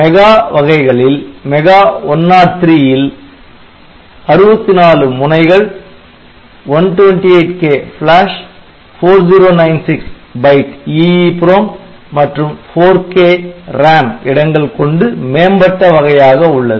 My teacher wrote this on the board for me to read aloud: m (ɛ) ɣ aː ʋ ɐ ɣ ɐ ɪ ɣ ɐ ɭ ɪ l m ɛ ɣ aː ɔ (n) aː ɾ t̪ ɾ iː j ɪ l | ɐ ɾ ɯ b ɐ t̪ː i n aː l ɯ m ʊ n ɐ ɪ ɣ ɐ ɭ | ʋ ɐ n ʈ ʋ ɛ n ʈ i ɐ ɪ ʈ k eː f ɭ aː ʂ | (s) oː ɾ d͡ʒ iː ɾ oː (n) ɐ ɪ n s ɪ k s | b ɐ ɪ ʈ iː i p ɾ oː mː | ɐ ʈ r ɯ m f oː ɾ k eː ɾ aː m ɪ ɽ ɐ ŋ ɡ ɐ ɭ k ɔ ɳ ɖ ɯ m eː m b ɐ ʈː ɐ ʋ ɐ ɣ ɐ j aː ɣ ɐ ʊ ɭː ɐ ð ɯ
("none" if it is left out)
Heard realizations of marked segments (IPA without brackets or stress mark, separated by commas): ɛ, nː, f, n